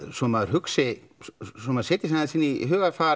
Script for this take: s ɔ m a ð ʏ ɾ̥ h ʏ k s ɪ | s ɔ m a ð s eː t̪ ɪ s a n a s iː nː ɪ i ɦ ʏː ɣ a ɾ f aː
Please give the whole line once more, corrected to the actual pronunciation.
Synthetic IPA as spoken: s ɔ m a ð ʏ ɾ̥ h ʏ k s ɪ | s ɔ m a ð s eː t̪ ɪ s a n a s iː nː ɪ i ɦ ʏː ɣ a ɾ f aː